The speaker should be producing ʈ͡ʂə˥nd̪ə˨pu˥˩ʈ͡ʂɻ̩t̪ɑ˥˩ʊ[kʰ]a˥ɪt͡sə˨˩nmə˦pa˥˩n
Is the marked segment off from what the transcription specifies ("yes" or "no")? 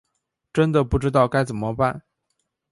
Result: yes